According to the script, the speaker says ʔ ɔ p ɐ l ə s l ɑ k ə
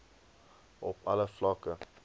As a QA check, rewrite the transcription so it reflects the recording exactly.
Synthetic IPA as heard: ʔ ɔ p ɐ l ə f l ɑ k ə